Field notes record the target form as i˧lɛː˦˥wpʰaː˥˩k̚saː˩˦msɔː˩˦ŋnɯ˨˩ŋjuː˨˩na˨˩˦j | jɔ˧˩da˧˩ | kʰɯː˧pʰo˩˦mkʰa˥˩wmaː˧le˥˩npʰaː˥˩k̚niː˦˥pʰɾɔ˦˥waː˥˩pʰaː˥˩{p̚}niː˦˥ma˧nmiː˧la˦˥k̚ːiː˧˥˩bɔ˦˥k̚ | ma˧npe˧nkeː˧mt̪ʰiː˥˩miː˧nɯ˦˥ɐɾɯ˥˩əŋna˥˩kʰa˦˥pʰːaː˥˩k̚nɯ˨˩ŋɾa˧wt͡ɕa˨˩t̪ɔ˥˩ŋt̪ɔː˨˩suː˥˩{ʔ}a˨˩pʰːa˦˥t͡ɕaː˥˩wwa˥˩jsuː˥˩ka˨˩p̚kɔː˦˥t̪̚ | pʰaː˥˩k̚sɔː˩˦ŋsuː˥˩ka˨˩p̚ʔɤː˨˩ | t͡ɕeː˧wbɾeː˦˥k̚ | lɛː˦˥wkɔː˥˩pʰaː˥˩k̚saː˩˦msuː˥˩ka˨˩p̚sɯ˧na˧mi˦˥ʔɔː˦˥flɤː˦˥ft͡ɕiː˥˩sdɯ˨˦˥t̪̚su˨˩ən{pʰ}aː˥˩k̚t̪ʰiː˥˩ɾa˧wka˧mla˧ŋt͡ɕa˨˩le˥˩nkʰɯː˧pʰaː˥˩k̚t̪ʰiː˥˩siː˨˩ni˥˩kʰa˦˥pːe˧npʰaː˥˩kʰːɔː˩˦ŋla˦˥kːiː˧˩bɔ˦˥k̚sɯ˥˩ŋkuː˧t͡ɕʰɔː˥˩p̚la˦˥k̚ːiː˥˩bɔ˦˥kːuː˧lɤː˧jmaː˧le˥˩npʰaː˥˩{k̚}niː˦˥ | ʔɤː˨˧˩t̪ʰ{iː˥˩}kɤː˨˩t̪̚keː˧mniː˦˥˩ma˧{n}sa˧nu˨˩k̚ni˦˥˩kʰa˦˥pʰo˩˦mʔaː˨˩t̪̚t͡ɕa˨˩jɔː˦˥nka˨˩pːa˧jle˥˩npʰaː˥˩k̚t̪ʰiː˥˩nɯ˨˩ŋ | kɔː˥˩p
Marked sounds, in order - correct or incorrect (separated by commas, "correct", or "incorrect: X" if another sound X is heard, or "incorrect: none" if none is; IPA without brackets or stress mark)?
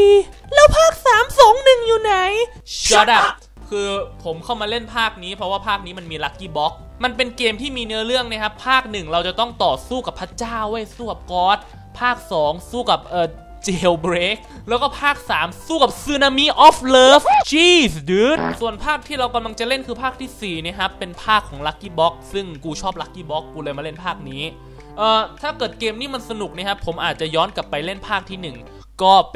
incorrect: k̚, incorrect: k, correct, correct, incorrect: aː˥˩, correct